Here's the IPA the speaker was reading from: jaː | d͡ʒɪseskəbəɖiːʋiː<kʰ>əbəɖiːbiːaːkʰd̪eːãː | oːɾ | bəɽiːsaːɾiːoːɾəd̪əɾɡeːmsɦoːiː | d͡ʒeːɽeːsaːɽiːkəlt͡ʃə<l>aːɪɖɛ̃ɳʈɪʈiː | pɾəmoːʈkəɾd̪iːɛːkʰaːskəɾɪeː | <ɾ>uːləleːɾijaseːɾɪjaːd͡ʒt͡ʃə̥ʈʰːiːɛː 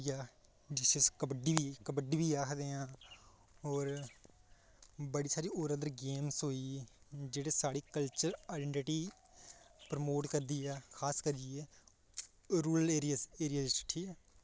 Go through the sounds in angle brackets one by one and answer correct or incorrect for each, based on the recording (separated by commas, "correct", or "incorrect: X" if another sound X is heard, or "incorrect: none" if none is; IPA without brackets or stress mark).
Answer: incorrect: k, incorrect: ɾ, correct